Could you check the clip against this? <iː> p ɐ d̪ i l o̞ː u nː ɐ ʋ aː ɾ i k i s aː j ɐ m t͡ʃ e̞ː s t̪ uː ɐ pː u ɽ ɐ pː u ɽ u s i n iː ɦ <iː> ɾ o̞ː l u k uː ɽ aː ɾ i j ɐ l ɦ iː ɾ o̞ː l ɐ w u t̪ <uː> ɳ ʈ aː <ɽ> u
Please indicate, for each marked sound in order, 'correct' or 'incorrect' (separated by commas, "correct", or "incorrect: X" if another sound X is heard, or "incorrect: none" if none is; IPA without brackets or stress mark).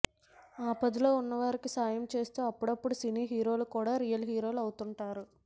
incorrect: aː, correct, incorrect: u, incorrect: ɾ